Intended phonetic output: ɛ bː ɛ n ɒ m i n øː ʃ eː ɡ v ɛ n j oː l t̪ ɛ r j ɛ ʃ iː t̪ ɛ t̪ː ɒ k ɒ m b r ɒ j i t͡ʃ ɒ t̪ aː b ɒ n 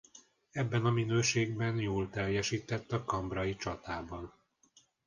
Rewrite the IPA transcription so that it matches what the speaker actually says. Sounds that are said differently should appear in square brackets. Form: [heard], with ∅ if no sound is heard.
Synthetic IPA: ɛ bː ɛ n ɒ m i n øː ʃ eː ɡ [b] ɛ n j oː l t̪ ɛ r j ɛ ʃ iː t̪ ɛ t̪ː ɒ k ɒ m b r ɒ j i t͡ʃ ɒ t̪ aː b ɒ n